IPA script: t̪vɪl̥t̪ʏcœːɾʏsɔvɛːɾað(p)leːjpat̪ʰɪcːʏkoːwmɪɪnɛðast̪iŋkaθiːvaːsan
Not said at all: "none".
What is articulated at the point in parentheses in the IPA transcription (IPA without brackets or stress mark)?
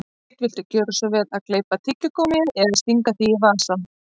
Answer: k